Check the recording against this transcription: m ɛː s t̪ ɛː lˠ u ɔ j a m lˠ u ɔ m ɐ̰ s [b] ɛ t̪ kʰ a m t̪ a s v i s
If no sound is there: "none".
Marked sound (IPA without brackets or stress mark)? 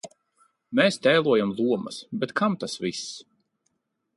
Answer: b